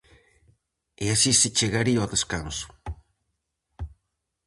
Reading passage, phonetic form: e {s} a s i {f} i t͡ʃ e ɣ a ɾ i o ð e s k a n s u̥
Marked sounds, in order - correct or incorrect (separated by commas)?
incorrect, incorrect